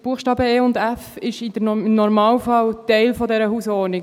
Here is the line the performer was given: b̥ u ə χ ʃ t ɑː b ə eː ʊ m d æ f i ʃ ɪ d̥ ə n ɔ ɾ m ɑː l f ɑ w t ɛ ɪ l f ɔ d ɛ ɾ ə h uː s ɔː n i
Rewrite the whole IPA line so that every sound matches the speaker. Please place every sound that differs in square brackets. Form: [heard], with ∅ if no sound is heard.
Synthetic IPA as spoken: b̥ u ə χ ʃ t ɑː b ə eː ʊ [n] d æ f [ɪ] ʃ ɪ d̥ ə n ɔ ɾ m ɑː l f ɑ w t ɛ ɪ l f ɔ d ɛ ɾ ə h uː s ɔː n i